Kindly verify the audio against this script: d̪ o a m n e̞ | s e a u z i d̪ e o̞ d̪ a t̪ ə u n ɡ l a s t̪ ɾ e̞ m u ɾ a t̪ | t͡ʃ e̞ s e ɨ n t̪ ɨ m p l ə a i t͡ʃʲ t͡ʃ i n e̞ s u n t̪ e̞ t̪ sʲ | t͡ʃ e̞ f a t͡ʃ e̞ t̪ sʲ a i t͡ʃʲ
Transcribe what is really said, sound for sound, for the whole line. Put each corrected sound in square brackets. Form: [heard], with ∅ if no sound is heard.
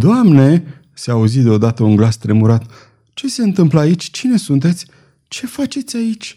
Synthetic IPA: d̪ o a m n e̞ | s e a u z i d̪ e o̞ d̪ a t̪ ə u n ɡ l a s t̪ ɾ e̞ m u ɾ a t̪ | t͡ʃ e̞ s e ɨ n t̪ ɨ m p l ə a i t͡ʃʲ t͡ʃ i n e̞ s u n t̪ e̞ t̪ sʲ | t͡ʃ e̞ f a t͡ʃ e̞ t̪ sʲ a i t͡ʃʲ